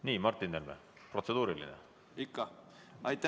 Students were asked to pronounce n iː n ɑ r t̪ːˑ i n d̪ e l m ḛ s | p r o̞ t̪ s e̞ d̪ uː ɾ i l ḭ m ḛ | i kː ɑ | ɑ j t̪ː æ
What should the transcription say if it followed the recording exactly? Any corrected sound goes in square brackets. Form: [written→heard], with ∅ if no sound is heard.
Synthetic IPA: n iː [n→m] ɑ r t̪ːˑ i n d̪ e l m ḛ [s→∅] | p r o̞ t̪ s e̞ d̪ uː ɾ i l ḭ [m→n] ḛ | i kː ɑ | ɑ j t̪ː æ